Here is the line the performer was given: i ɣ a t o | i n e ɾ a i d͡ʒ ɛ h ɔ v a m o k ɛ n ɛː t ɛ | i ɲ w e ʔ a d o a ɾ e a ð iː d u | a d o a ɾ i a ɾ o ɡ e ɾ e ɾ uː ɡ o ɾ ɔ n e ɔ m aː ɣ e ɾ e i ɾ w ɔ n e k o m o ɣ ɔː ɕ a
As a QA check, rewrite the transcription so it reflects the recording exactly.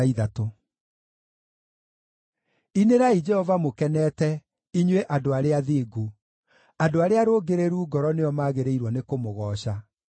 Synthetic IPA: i ð a t o | i n e ɾ a i d͡ʒ ɛ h ɔ v a m o k ɛ n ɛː t ɛ | i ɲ w e ʔ a d o a ɾ e a ð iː ɡ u | a d o a ɾ e a ɾ o ɡ e ɾ e ɾ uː ɡ ɔ ɾ ɔ n e ɔ m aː ɣ e ɾ e i ɾ w ɔ n e k o m o ɣ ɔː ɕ a